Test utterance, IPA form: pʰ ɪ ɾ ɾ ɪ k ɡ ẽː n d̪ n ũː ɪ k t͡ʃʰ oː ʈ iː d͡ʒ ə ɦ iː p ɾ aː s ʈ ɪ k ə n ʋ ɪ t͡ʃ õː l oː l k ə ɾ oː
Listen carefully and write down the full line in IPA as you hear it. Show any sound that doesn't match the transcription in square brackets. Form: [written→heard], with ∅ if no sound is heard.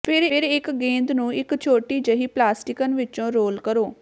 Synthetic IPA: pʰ ɪ ɾ ɾ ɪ k ɡ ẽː n d̪ n ũː ɪ k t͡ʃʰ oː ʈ iː d͡ʒ ə ɦ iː p [ɾ→l] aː s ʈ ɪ k ə n ʋ ɪ t͡ʃ õː [l→ɾ] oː l k ə ɾ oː